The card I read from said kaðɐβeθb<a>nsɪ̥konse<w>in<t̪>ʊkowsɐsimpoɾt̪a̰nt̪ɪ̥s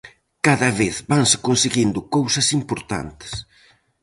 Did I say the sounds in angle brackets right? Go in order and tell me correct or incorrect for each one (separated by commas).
correct, incorrect, incorrect